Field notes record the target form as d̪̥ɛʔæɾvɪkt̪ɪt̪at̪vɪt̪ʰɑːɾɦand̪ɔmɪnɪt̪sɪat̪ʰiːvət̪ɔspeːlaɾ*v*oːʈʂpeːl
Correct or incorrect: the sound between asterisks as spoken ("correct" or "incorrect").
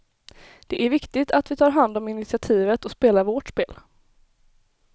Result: correct